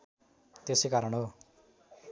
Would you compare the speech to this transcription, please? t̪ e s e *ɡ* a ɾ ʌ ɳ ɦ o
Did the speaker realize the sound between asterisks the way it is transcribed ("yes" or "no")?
no